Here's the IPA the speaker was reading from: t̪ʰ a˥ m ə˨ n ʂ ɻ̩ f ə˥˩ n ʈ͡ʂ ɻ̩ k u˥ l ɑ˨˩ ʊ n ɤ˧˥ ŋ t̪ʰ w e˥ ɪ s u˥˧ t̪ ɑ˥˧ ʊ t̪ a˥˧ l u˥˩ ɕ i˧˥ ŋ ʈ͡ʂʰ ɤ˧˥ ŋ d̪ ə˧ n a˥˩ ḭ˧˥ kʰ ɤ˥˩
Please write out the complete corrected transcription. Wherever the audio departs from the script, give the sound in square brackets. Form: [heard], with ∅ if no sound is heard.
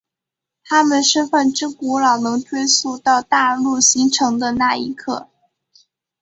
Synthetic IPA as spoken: t̪ʰ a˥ m ə˨ n ʂ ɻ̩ f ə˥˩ n ʈ͡ʂ ɻ̩ k [u˧˥] l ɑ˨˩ ʊ n ɤ˧˥ ŋ t̪ʰ w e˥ ɪ s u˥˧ t̪ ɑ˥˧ ʊ t̪ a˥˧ l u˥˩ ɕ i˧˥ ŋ ʈ͡ʂʰ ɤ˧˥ ŋ d̪ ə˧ n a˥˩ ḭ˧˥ kʰ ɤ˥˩